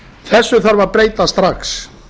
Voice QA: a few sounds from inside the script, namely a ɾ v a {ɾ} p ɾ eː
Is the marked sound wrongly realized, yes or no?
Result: no